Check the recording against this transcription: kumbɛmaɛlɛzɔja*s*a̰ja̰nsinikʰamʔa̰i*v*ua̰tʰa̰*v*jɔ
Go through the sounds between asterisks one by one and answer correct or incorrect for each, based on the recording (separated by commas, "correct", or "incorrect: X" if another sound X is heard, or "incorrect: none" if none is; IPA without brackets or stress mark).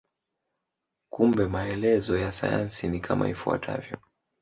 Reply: correct, incorrect: f, correct